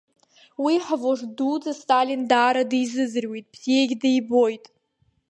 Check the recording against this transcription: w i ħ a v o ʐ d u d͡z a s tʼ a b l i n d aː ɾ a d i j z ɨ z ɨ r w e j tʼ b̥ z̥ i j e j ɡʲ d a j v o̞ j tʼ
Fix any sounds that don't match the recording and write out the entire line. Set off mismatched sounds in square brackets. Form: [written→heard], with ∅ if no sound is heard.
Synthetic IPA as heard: w i ħ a v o ʐ d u d͡z a s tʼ a [b→∅] l i n d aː ɾ a d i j z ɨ z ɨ r w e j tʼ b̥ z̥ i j e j ɡʲ d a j [v→b] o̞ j tʼ